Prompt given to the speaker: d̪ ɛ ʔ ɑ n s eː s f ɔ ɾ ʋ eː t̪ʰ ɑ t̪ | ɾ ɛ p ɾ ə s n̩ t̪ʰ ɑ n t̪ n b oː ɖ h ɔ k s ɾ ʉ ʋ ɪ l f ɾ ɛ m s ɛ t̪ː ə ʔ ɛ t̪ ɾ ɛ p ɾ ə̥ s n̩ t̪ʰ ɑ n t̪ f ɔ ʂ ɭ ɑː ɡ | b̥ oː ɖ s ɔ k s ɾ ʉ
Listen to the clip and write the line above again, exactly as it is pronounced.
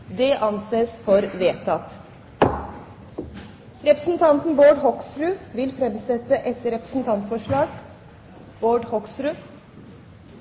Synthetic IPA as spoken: d̪ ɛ ʔ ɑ n s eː s f ɔ ɾ ʋ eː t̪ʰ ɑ t̪ | ɾ ɛ p ɾ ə s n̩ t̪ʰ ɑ n t̪ n b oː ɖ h ɔ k s ɾ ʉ ʋ ɪ l f ɾ ɛ m s ɛ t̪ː ə ʔ ɛ t̪ ɾ ɛ p ɾ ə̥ s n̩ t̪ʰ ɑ n t̪ f ɔ ʂ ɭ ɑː ɡ | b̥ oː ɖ h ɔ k s ɾ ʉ

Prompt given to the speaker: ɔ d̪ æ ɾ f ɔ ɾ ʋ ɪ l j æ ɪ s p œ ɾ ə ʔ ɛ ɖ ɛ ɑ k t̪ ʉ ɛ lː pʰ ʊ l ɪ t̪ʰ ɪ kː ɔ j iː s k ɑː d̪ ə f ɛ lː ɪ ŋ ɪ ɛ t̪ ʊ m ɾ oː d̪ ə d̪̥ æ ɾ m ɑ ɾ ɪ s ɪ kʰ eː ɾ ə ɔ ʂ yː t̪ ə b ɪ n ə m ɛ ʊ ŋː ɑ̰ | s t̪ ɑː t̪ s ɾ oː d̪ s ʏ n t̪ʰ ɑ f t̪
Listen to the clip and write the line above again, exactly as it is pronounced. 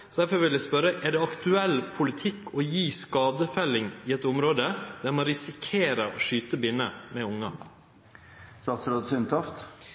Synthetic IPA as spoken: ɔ d̪ æ ɾ f ɔ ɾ ʋ ɪ l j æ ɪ s p œ ɾ ə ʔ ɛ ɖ ɛ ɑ k t̪ ʉ ɛ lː pʰ ʊ l ɪ t̪ʰ ɪ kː ɔ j iː s k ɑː d̪ ə f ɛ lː ɪ ŋ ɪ ɛ t̪ ʊ m ɾ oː d̪ ə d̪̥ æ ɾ m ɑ ɾ ɪ s ɪ kʰ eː ɾ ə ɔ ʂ yː t̪ ə b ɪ n ə m ɛ ʊ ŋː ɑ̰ | s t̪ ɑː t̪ s ɾ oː d̪ s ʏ n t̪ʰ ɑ f t̪

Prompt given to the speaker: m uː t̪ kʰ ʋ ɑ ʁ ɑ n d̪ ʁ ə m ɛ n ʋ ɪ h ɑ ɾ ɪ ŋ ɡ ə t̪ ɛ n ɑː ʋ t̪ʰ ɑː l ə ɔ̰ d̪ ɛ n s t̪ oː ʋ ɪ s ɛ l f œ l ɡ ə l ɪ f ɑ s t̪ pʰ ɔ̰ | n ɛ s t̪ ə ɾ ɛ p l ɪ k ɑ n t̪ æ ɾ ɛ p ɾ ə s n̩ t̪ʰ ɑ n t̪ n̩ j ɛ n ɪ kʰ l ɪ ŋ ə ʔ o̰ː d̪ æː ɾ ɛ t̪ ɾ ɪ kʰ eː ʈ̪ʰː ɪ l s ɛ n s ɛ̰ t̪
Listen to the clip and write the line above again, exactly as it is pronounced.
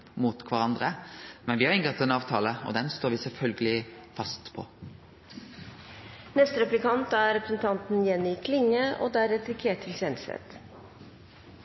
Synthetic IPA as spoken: m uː t̪ kʰ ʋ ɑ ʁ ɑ n d̪ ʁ ə m ɛ n ʋ ɪ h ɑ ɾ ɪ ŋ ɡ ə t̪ ɛ n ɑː ʋ t̪ʰ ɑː l ə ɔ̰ d̪ ɛ n s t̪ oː ʋ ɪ s ɛ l f œ l ɡ ə l ɪ f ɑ s t̪ pʰ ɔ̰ | n ɛ s t̪ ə ɾ ɛ p l ɪ k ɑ n t̪ æ ɾ ɛ p ɾ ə s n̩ t̪ʰ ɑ n t̪ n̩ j ɛ n ɪ kʰ l ɪ ŋ ə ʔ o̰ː d̪ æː ɾ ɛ t̪ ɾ ɪ kʰ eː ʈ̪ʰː ɪ l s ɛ n s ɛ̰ t̪

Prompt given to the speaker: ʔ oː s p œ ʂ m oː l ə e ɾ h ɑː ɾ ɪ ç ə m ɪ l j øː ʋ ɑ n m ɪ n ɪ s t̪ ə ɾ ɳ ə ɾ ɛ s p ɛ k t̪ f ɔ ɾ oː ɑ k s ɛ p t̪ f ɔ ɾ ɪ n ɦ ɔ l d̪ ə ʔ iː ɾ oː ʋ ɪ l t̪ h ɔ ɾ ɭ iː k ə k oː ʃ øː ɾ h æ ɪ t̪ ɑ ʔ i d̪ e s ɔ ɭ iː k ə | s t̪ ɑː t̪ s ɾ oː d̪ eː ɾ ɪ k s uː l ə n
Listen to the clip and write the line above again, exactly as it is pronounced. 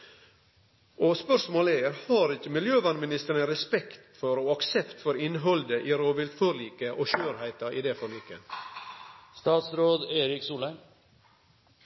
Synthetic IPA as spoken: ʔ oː s p œ ʂ m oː l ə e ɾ h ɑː ɾ ɪ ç ə m ɪ l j øː ʋ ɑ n m ɪ n ɪ s t̪ ə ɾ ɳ ə ɾ ɛ s p ɛ k t̪ f ɔ ɾ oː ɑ k s ɛ p t̪ f ɔ ɾ ɪ n ɦ ɔ l d̪ ə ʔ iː ɾ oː ʋ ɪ l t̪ f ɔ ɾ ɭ iː k ə ʔ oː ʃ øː ɾ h æ ɪ t̪ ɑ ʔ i d̪ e f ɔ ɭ iː k ə | s t̪ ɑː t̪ s ɾ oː d̪ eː ɾ ɪ k s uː l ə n

